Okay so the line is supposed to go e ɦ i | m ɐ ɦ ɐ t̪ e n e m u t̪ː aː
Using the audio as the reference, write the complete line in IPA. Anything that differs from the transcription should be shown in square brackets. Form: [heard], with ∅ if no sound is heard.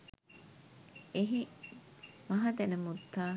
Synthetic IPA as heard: e ɦ i | m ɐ ɦ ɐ [d̪] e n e m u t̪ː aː